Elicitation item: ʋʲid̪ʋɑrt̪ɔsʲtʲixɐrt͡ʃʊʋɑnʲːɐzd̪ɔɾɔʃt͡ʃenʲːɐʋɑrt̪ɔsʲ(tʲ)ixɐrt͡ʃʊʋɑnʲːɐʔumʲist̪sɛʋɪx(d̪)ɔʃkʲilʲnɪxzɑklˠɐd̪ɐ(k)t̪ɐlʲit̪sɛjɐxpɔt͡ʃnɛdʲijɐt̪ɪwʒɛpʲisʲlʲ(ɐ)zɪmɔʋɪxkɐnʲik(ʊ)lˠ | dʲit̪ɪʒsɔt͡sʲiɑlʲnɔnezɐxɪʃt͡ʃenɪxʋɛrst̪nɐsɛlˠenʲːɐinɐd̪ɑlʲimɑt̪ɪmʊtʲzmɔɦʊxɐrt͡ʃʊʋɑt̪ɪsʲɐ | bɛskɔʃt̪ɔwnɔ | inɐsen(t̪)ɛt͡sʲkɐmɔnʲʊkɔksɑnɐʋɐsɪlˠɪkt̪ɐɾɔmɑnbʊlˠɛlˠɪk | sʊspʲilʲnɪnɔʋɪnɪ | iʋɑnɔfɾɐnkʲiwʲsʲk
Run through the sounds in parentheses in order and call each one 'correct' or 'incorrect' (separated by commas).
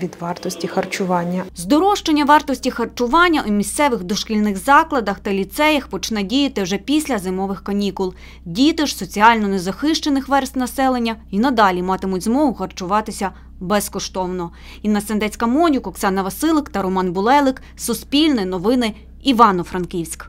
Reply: correct, correct, incorrect, correct, correct, incorrect